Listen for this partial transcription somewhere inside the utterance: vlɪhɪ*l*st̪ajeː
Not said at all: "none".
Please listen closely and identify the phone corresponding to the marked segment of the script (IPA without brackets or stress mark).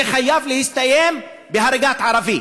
none